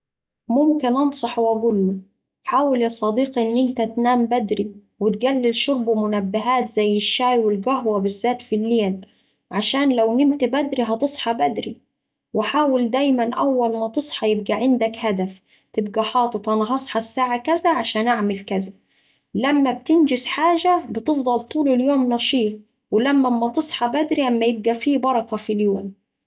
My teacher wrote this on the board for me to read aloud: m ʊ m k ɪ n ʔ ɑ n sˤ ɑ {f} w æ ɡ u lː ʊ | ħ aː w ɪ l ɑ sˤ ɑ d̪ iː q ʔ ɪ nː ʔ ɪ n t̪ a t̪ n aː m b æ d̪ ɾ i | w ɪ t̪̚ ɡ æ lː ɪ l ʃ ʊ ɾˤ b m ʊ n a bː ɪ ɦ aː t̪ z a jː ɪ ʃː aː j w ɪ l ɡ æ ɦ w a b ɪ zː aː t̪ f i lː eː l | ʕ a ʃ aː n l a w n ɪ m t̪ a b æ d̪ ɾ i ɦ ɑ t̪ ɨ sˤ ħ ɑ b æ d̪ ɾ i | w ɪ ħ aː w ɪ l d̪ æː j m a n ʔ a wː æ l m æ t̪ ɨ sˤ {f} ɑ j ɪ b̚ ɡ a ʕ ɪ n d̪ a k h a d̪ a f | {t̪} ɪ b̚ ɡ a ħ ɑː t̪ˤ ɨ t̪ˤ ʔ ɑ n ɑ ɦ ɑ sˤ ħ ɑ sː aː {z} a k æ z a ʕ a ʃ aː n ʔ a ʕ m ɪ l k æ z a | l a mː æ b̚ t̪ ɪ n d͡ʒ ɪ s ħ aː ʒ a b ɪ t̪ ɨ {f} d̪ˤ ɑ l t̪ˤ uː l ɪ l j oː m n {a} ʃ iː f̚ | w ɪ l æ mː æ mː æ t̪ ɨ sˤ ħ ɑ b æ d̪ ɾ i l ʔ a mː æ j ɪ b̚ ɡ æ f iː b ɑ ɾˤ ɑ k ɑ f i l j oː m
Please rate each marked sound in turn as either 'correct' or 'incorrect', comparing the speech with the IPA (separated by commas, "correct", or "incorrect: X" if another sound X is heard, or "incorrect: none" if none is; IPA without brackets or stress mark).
incorrect: ħ, incorrect: ħ, correct, incorrect: ʕ, correct, incorrect: ɑ